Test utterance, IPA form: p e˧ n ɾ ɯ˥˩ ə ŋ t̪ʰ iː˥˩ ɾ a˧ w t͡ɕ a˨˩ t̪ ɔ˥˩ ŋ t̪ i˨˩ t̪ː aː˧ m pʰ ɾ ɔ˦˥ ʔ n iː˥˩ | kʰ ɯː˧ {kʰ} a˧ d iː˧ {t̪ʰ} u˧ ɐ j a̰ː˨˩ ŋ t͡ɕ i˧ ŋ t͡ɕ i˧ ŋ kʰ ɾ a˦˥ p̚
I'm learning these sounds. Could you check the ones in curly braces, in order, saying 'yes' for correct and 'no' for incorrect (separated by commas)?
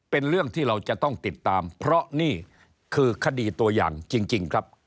yes, no